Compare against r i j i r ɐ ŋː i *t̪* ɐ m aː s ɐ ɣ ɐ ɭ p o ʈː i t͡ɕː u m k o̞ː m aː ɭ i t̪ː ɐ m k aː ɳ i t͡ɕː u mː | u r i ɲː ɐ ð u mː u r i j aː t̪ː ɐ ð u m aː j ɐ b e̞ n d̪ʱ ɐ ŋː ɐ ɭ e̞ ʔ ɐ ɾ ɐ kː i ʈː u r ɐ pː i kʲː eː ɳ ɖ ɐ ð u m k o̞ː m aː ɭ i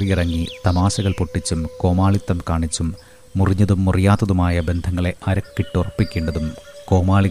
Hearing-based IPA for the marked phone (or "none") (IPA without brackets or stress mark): t̪